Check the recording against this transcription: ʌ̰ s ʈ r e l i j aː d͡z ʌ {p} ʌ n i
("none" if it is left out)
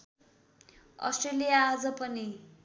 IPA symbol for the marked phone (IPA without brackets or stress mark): p